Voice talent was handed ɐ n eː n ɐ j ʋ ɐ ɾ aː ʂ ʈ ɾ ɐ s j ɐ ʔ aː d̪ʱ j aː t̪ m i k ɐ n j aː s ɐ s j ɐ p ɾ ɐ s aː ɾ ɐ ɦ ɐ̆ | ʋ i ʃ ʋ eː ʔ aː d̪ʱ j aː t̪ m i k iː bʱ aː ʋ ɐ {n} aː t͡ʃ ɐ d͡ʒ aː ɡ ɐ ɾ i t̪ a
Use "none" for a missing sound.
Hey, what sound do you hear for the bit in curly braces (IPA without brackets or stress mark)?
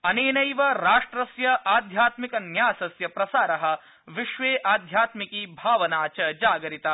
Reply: n